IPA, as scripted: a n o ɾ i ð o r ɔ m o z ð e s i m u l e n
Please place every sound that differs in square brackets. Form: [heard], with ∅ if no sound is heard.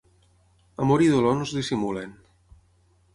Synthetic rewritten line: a [m] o ɾ i ð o [l] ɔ [n] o z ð [i] s i m u l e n